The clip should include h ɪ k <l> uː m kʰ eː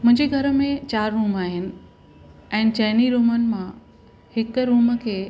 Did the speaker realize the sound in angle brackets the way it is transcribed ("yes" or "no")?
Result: no